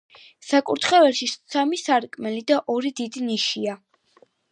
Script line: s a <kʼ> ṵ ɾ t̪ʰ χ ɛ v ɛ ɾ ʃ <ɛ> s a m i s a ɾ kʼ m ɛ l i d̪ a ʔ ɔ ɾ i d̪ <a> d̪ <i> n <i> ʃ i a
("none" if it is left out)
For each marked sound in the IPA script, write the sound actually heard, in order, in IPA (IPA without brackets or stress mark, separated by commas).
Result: kʼ, i, i, i, i